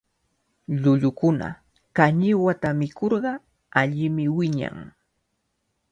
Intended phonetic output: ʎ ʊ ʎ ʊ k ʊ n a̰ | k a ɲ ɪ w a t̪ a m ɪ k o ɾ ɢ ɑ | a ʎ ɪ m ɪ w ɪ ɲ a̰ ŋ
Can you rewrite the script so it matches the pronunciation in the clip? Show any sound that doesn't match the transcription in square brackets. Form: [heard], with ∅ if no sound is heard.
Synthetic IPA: ʎ ʊ ʎ ʊ k ʊ n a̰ | k a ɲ ɪ w a t̪ a m ɪ k o ɾ ɢ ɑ | a ʎ ɪ m ɪ w ɪ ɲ a̰ ŋ